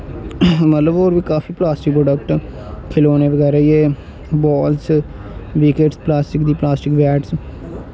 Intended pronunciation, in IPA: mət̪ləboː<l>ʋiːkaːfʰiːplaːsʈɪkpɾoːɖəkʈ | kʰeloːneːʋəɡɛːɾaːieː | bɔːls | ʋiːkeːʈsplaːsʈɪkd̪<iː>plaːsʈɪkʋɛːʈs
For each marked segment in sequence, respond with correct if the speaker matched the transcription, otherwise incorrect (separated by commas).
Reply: incorrect, correct